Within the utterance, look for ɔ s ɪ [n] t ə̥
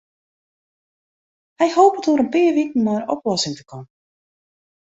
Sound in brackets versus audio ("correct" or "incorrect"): incorrect